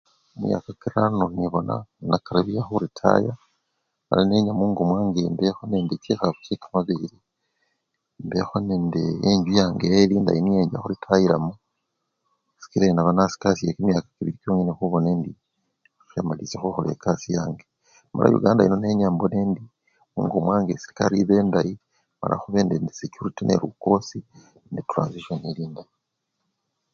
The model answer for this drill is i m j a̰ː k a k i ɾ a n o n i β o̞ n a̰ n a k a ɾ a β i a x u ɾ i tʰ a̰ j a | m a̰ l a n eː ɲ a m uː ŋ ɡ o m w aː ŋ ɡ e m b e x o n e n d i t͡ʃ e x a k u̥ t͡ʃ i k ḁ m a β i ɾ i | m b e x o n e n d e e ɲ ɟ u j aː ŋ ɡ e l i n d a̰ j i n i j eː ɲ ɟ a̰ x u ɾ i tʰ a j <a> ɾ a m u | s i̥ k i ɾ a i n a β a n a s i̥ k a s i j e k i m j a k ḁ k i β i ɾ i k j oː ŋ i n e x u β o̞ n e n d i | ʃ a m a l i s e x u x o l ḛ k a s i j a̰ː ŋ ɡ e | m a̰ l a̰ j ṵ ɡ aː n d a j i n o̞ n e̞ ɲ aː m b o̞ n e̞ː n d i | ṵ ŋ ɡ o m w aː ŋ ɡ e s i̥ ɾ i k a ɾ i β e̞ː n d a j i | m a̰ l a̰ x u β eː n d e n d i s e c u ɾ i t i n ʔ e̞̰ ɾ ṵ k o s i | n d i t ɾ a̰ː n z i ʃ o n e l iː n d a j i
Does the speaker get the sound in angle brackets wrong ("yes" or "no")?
yes